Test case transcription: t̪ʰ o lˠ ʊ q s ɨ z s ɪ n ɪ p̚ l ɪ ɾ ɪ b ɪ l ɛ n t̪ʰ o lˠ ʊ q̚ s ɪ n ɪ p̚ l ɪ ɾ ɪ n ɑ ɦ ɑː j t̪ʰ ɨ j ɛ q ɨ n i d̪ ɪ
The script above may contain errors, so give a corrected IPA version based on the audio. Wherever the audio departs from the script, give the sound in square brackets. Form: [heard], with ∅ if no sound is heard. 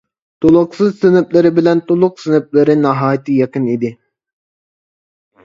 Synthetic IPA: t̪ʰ o lˠ ʊ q s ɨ z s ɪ n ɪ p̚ l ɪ ɾ ɪ b ɪ l ɛ n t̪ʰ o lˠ ʊ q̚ s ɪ n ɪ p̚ l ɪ ɾ ɪ n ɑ ɦ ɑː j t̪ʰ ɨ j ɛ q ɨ n i d̪ ɪ